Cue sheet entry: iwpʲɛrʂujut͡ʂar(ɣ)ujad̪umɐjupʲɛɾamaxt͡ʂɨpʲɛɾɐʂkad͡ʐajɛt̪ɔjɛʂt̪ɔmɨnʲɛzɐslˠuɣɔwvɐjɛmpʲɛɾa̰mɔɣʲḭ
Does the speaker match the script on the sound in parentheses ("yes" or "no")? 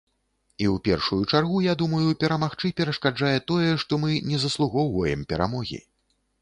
yes